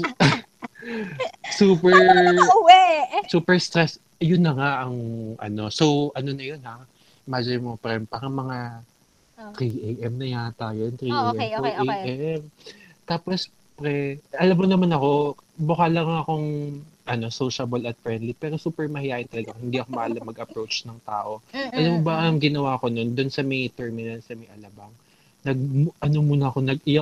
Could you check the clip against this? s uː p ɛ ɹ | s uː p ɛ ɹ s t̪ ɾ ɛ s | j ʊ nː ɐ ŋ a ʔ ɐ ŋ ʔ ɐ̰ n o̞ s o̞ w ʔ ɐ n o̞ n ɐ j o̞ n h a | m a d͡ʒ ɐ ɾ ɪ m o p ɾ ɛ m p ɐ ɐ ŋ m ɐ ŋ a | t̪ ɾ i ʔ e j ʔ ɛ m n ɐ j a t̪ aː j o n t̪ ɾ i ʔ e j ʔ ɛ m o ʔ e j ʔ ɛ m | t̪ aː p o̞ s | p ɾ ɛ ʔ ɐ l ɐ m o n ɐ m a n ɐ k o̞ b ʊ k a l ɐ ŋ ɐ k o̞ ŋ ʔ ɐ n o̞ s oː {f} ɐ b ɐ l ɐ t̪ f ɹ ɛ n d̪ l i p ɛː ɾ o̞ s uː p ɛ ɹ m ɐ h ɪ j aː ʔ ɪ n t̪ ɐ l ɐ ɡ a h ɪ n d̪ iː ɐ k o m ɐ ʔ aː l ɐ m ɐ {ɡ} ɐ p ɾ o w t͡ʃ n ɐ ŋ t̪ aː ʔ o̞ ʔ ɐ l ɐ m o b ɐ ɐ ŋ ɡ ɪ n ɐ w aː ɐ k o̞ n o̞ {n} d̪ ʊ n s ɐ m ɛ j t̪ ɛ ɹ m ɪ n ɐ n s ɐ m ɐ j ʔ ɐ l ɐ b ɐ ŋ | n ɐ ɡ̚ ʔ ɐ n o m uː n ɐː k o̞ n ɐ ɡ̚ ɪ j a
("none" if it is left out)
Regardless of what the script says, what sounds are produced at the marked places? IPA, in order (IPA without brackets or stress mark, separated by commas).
ʃ, ɡ, n